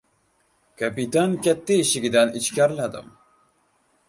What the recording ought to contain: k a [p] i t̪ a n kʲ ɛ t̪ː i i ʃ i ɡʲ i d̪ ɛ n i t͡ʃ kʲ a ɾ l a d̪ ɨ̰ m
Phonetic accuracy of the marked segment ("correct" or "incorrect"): correct